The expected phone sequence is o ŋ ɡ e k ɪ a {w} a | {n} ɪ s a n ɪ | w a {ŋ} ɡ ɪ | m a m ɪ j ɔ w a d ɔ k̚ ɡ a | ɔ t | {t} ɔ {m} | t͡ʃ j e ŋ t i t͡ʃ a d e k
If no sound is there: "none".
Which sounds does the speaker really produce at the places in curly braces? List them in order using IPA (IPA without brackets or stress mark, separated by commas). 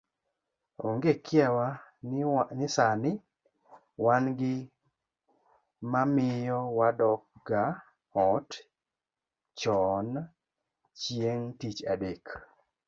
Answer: w, n, n, t͡ʃ, n